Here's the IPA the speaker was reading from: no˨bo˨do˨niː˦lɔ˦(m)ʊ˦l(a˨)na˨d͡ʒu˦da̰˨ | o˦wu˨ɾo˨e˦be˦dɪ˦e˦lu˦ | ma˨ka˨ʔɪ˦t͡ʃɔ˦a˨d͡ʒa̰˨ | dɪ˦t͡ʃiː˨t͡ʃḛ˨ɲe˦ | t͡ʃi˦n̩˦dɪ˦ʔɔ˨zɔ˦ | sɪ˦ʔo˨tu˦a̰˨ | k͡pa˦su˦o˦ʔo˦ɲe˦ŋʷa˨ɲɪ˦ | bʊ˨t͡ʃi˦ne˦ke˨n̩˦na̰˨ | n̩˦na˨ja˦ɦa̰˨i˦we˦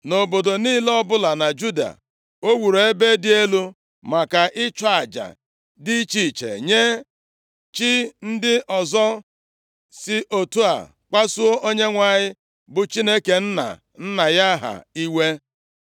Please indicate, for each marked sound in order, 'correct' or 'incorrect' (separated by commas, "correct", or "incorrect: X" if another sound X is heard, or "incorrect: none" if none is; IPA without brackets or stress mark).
incorrect: b, correct